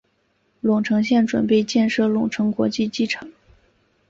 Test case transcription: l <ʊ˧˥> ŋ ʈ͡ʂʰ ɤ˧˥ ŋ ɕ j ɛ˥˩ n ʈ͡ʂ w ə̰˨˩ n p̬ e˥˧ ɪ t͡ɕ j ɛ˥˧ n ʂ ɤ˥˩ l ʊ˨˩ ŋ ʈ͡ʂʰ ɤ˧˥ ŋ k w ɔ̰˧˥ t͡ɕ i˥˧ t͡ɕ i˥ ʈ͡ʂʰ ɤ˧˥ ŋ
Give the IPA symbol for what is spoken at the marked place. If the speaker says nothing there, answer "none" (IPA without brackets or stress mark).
ʊ˨˩